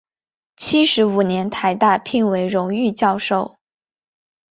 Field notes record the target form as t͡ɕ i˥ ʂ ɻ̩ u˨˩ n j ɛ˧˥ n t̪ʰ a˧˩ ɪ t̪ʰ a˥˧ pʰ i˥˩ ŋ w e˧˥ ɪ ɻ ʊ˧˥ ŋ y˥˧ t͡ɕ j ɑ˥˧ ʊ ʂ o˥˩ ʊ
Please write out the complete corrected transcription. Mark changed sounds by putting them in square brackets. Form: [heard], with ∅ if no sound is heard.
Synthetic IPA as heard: [t͡ɕʰ] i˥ ʂ ɻ̩ u˨˩ n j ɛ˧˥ n t̪ʰ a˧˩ ɪ [t̪] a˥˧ pʰ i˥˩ ŋ w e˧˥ ɪ ɻ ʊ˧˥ ŋ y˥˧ t͡ɕ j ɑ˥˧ ʊ ʂ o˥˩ ʊ